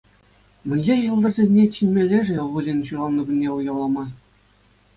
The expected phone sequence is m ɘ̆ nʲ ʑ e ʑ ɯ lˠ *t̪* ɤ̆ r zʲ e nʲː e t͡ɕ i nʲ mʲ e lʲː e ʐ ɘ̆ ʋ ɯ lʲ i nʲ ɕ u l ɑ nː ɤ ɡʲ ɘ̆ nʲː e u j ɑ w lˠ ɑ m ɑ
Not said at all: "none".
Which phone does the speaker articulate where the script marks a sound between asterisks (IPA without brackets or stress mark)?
d̪